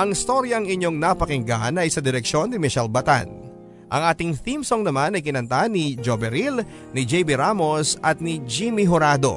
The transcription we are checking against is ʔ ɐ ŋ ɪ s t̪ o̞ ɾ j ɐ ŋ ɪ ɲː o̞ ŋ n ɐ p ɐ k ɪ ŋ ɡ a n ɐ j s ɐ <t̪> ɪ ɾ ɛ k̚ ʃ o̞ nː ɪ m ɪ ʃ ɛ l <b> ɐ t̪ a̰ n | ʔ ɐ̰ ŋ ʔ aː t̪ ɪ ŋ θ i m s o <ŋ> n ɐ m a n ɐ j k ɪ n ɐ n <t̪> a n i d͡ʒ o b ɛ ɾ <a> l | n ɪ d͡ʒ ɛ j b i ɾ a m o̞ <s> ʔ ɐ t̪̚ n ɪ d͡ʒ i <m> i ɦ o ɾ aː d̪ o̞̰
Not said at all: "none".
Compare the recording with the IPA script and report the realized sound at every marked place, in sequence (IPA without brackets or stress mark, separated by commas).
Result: d̪, b, ŋ, t̪, i, s, m